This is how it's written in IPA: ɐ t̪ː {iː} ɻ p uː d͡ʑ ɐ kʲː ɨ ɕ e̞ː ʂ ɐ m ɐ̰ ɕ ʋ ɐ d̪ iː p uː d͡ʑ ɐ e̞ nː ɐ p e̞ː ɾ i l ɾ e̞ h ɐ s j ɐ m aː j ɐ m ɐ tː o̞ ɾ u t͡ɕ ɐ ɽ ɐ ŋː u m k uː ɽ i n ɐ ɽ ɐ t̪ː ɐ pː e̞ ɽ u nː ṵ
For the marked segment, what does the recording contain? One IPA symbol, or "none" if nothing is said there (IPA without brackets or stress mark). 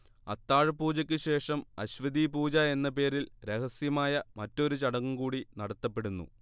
aː